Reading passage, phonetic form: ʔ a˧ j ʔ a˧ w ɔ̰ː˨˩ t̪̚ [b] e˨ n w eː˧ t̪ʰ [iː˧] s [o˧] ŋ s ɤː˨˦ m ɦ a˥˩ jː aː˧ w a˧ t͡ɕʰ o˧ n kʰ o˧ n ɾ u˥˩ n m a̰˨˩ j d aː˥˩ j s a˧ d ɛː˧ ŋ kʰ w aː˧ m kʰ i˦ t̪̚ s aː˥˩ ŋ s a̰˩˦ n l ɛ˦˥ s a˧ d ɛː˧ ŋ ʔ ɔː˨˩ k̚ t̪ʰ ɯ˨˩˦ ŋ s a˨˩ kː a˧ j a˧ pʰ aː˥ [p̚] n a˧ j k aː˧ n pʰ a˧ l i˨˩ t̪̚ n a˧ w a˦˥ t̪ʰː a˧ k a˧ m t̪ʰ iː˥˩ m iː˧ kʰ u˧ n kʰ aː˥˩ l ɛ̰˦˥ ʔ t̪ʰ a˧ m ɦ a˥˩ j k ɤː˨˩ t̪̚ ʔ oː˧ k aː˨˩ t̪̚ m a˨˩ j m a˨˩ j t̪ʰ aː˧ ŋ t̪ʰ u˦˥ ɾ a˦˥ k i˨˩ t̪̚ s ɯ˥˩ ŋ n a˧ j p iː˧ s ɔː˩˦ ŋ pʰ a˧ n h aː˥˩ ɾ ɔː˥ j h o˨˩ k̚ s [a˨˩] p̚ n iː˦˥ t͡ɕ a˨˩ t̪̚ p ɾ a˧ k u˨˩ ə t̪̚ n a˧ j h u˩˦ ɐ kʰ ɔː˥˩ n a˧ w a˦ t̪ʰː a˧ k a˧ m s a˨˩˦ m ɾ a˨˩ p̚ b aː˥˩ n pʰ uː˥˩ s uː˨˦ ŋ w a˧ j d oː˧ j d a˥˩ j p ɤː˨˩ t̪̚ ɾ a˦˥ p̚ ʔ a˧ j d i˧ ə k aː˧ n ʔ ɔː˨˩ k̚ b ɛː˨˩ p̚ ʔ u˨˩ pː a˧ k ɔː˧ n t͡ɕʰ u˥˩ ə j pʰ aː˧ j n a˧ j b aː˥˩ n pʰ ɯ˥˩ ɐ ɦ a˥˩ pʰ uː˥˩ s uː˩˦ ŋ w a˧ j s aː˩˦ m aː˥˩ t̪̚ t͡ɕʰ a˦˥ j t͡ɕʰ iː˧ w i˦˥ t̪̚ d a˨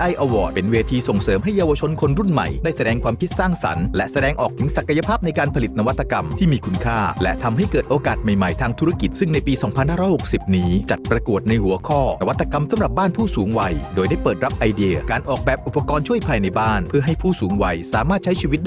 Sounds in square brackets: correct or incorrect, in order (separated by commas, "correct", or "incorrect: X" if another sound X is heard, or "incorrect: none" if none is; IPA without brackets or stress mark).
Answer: incorrect: p, correct, incorrect: o˨˩, correct, incorrect: i˨˩